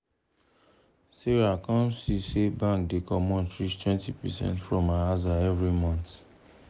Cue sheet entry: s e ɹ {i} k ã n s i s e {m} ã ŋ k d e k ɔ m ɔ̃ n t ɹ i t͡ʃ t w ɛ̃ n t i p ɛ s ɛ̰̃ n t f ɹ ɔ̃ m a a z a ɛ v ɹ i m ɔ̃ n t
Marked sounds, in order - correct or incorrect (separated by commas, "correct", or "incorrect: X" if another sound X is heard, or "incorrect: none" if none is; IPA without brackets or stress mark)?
incorrect: a, incorrect: b